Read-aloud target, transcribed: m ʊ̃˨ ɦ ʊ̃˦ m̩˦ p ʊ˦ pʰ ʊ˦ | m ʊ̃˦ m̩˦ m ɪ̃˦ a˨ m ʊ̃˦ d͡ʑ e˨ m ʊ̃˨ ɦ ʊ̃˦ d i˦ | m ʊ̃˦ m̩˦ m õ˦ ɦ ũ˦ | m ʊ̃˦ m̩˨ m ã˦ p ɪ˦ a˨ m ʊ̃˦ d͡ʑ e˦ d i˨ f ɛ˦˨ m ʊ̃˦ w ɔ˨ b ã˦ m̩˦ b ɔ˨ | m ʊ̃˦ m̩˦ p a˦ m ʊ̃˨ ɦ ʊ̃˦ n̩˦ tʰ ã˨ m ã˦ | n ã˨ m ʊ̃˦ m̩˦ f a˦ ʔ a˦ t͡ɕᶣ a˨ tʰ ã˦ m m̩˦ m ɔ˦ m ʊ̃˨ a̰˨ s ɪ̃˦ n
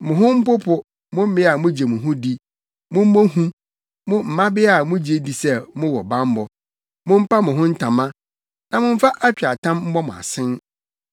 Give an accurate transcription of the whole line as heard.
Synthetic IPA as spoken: m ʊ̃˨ ɦ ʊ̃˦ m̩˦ p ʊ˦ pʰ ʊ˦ | m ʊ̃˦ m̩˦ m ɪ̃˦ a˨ m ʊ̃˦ d͡ʑ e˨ m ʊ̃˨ ɦ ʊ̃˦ d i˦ | m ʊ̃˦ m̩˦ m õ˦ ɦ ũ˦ | m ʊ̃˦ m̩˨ m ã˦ b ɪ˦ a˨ m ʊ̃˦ d͡ʑ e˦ d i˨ s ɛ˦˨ m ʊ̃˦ w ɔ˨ b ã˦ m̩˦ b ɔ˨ | m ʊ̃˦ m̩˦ p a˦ m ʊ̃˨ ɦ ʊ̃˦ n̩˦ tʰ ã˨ m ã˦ | n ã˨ m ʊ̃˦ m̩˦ f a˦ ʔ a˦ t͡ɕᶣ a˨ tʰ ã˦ m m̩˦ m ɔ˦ m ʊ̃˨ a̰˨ s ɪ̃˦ n

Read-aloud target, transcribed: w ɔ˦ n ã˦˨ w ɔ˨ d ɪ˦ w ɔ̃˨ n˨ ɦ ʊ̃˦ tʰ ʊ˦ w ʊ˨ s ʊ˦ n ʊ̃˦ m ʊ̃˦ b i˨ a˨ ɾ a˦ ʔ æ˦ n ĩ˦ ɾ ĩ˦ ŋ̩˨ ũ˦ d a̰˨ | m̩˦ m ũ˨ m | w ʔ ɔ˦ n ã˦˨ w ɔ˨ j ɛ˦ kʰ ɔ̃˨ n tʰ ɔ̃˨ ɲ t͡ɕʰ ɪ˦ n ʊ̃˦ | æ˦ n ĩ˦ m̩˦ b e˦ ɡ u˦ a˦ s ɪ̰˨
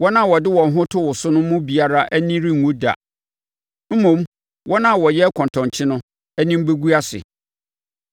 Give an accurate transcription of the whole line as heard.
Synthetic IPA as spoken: w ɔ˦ n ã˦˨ w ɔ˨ d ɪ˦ w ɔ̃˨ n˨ ɦ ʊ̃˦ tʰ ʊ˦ w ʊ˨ s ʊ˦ n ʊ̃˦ m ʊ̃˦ b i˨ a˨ ɾ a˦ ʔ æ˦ n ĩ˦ ɾ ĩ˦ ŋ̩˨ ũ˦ d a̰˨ | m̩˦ m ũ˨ m | w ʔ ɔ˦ n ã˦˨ w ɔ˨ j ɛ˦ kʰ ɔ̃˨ n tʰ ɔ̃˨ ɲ t͡ɕʰ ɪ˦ n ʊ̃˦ | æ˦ n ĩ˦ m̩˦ b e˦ ɡ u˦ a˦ s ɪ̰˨

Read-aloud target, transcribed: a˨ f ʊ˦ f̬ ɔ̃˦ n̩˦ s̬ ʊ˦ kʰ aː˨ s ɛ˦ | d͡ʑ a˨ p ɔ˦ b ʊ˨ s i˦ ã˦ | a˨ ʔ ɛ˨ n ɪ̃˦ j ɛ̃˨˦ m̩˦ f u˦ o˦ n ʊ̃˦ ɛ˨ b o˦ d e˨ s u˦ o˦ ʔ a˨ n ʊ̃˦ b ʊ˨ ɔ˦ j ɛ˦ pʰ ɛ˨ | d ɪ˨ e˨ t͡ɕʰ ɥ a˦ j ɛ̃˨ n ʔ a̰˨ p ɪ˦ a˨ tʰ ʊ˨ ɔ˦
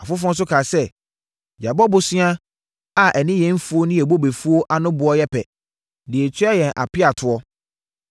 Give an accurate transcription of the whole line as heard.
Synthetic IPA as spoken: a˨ f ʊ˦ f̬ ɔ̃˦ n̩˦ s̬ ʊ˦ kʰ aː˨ s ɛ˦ | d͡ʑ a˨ b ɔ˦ b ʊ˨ s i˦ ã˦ | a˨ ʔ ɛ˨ n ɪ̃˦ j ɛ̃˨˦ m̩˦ f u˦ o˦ n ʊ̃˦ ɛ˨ b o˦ b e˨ f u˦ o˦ ʔ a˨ n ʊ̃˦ b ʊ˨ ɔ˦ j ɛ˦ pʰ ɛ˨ | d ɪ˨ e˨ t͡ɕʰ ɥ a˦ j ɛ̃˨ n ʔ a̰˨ p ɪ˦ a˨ tʰ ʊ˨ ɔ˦

